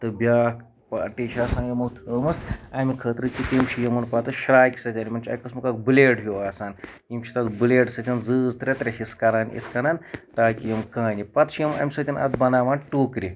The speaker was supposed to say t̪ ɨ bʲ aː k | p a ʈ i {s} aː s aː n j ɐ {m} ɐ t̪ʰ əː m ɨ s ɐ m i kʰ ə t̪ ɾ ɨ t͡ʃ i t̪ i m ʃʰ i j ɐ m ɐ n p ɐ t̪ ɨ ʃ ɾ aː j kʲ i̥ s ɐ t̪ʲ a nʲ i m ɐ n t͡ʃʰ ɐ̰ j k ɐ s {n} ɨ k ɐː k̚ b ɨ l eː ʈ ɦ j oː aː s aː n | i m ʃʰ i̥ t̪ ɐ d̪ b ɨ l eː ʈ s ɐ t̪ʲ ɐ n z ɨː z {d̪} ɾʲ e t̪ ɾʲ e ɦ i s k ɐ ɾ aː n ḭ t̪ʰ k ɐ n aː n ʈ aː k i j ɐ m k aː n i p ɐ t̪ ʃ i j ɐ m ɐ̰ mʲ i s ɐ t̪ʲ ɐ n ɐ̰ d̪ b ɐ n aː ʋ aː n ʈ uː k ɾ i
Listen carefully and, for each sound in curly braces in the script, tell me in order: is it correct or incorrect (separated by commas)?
incorrect, correct, incorrect, incorrect